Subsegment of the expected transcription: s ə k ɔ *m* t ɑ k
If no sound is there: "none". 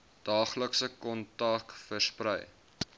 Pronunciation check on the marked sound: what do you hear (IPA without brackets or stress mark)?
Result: n